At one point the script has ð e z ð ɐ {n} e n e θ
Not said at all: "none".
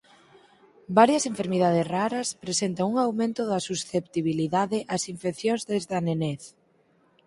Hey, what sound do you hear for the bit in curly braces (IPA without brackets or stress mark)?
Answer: n